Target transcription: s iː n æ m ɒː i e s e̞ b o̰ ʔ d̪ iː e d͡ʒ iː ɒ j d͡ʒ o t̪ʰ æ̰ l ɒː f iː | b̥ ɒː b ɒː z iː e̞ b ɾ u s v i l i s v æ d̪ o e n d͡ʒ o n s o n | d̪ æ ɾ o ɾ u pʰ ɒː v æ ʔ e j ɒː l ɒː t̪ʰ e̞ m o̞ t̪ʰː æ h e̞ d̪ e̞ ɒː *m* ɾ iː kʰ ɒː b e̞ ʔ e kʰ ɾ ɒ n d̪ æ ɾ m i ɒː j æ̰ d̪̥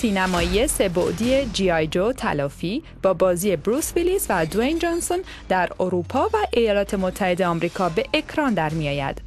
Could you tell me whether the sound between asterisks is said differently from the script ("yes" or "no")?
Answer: no